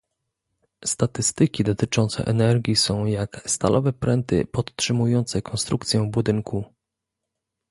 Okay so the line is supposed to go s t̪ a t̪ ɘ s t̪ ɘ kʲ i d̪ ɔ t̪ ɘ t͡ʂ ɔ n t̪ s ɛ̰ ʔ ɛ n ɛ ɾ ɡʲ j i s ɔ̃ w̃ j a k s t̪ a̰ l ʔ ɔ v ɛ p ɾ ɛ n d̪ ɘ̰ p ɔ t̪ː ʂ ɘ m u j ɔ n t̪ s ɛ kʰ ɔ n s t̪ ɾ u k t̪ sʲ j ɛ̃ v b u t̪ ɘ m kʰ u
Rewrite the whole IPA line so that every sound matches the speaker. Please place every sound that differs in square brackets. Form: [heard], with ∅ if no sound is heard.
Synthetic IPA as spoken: s t̪ a t̪ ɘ s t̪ ɘ kʲ i d̪ ɔ t̪ ɘ t͡ʂ ɔ n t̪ s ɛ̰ ʔ ɛ n ɛ ɾ ɡʲ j i s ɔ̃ w̃ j a k s t̪ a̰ l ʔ ɔ v ɛ p ɾ ɛ n [t̪] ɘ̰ p ɔ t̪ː ʂ ɘ m u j ɔ n t̪ s ɛ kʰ ɔ n s t̪ ɾ u k t̪ sʲ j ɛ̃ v b u [d̪] ɘ [ŋ] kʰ u